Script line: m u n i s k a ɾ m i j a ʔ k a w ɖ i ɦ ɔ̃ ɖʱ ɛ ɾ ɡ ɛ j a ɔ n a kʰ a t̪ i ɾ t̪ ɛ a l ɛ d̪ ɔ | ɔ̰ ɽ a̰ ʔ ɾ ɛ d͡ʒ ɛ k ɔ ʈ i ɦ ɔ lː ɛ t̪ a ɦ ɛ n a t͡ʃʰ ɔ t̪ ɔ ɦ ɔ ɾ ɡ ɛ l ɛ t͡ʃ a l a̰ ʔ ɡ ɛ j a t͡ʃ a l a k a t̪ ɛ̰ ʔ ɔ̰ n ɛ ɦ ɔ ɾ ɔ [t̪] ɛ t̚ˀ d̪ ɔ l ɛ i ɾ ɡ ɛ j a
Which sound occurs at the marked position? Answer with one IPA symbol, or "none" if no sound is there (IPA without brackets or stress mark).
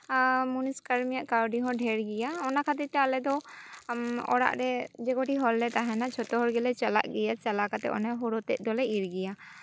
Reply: t̪